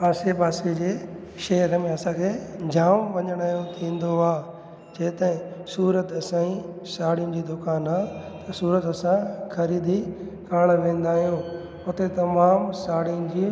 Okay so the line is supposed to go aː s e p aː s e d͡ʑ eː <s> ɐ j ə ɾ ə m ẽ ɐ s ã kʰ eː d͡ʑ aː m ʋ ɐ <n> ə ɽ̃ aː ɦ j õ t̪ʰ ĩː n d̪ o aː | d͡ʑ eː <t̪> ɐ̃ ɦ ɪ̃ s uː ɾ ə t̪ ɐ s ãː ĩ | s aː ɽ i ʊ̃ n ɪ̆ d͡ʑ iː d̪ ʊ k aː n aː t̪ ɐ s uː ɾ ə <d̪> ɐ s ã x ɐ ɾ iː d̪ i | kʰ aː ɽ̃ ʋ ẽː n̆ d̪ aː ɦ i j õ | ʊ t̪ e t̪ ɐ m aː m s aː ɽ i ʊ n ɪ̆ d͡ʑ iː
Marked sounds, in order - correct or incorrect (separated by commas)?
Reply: incorrect, incorrect, correct, incorrect